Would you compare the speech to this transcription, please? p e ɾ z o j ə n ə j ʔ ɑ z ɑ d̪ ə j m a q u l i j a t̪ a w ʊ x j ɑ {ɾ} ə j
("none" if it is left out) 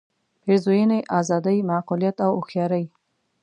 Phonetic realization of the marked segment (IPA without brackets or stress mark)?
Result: ɾ